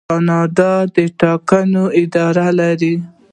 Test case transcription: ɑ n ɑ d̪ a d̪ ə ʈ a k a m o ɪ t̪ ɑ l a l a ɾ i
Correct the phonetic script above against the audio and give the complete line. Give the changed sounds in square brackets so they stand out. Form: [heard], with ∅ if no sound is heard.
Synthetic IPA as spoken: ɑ n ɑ d̪ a d̪ ə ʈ [ɑ] k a [n] o ɪ [d̪] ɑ [ɾ] a l a ɾ i